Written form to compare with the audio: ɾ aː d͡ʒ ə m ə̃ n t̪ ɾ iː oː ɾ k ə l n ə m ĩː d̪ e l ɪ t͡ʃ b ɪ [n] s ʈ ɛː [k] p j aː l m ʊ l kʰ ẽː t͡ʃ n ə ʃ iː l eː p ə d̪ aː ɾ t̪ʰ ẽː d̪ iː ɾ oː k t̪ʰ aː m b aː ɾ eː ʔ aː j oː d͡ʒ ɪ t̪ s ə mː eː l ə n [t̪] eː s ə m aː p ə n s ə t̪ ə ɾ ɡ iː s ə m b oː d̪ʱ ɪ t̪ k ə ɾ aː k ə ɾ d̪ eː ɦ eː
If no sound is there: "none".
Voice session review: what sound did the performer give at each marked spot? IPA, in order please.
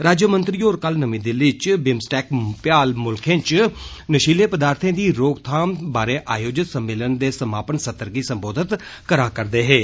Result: m, k, d̪

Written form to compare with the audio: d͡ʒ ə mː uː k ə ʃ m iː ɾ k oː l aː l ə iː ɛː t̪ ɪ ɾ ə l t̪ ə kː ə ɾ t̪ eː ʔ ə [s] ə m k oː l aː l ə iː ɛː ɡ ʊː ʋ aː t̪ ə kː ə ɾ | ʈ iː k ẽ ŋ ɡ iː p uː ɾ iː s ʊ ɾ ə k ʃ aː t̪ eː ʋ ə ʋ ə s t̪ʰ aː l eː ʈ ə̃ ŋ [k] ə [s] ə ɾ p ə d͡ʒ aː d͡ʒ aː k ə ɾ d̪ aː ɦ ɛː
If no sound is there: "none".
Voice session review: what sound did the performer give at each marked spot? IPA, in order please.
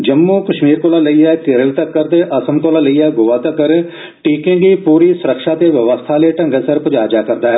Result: s, ɡ, s

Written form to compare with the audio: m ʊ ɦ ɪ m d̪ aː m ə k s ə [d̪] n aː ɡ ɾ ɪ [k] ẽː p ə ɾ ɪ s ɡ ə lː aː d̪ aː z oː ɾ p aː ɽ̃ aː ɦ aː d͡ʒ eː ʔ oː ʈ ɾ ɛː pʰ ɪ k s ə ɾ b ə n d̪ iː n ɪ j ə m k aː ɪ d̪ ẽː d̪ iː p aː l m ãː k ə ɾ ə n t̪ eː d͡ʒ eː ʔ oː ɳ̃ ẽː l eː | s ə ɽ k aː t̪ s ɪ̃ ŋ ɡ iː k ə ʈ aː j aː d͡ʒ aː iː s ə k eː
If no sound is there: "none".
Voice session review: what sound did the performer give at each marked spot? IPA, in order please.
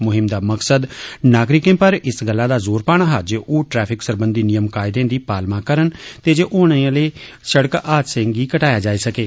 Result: d̪, k

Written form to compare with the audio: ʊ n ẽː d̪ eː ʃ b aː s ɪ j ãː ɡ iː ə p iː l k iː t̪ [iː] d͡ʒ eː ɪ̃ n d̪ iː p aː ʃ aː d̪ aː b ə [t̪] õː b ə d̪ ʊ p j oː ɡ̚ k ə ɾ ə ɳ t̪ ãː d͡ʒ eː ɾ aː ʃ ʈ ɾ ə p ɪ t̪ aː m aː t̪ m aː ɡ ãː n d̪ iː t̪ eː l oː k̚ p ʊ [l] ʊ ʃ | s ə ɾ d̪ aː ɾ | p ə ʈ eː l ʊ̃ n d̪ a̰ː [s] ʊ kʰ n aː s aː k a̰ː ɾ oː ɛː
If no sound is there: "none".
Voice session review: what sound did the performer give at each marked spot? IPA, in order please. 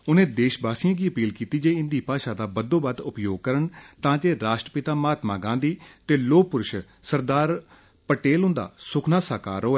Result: iː, d̪, ɾ, s

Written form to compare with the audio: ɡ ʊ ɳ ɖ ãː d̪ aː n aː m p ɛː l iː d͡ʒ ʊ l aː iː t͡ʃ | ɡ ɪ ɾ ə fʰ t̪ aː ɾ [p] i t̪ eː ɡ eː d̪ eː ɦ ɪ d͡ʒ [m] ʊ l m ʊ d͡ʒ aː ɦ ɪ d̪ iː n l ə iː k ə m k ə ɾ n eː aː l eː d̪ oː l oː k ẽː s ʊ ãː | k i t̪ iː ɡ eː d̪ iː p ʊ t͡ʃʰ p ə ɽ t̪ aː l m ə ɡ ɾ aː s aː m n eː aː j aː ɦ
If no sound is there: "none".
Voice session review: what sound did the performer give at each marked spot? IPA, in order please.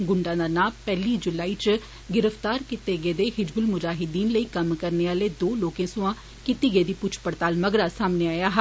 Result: k, b

